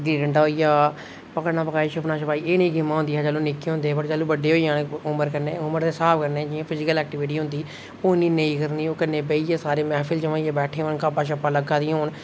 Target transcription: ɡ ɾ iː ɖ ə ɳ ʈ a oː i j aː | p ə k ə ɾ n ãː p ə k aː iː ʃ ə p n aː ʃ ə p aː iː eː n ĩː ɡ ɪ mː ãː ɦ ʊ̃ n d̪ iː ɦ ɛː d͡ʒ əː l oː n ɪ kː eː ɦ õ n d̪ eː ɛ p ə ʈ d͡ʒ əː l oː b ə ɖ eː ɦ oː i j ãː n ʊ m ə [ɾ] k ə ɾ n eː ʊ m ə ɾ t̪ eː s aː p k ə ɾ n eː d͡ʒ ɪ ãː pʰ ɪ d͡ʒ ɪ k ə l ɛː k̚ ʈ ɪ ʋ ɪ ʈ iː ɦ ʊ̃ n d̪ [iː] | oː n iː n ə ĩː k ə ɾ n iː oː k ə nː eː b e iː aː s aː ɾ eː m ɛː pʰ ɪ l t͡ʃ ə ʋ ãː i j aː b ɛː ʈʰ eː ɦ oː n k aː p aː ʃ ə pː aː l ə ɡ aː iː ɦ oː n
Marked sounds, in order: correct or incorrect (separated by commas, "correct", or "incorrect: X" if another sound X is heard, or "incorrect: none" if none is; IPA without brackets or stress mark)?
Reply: correct, correct